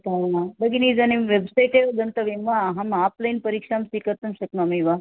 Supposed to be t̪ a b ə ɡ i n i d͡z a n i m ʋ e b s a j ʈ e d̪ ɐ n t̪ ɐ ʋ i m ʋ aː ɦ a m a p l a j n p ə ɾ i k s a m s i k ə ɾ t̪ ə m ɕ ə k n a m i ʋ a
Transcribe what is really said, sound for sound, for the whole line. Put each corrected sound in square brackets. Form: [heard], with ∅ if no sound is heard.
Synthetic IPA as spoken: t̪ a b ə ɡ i n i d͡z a n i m ʋ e b s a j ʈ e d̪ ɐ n t̪ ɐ ʋ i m ʋ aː ɦ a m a p l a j n p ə ɾ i k [ʂ] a m s i k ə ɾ t̪ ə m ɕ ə k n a m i ʋ a